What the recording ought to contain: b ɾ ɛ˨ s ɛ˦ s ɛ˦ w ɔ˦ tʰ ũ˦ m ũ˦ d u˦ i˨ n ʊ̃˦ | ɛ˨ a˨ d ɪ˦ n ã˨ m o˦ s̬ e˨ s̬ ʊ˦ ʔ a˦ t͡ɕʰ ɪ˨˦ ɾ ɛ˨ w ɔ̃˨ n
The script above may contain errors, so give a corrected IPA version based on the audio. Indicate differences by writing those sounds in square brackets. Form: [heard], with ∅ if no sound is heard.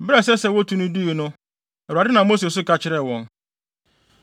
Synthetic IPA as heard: b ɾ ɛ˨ s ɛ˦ s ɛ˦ w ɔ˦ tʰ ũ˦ [n] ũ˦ d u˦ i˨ n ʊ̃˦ | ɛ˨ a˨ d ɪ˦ n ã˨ m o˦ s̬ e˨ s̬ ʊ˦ [k] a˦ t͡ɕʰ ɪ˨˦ ɾ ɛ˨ w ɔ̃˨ n